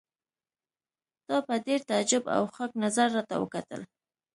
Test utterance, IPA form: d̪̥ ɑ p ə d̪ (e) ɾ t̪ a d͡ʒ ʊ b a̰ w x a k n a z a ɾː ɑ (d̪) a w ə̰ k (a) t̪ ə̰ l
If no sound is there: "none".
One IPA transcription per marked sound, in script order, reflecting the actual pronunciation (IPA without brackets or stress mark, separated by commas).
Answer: e, t̪, a